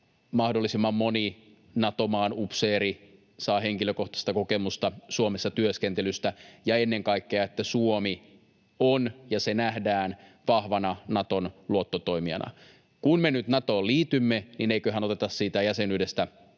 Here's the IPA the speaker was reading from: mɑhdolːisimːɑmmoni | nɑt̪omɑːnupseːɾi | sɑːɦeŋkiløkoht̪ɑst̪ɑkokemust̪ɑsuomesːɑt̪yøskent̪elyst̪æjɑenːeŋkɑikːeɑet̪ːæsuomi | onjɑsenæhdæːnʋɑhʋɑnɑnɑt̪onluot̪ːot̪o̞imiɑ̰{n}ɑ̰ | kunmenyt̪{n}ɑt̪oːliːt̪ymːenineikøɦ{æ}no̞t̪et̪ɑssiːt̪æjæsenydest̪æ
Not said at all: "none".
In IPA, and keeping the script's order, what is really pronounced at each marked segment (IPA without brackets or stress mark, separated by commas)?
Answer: n, n, æ